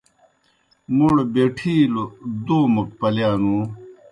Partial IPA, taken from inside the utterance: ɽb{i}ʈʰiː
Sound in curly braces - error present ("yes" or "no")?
yes